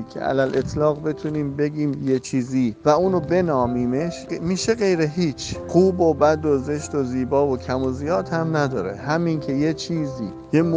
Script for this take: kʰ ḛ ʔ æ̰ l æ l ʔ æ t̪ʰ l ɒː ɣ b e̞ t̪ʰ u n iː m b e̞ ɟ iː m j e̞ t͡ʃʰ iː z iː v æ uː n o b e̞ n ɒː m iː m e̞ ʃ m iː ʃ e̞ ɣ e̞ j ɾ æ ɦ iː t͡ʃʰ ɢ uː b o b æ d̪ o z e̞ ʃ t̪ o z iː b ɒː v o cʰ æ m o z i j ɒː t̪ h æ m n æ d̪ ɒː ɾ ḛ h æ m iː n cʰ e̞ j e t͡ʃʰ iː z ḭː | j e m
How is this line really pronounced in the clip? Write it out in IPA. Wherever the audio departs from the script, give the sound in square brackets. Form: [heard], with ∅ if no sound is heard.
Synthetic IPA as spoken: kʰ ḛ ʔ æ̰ l æ l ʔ [e] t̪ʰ l ɒː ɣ b e̞ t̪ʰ u n iː m b e̞ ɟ iː m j e̞ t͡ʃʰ iː z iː v æ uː n o b e̞ n ɒː m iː m e̞ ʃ m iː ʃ e̞ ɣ e̞ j ɾ [e] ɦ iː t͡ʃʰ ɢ uː b o b æ d̪ o z e̞ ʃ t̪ o z iː b ɒː v o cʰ æ m o z i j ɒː t̪ h æ m n æ d̪ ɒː ɾ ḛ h æ m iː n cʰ e̞ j e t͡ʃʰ iː z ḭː | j e m